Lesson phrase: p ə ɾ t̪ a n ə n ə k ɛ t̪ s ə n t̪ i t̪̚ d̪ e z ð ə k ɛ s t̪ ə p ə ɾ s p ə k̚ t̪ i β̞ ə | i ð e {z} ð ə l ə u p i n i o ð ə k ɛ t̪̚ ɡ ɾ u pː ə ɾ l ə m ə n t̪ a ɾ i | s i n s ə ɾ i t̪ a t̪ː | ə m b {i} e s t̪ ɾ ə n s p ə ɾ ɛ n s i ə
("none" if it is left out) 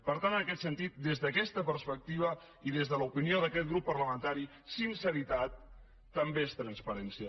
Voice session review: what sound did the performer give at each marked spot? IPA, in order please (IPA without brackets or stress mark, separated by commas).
z, e